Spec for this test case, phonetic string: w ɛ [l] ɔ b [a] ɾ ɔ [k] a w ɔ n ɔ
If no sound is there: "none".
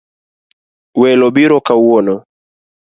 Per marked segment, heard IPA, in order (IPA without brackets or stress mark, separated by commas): l, i, k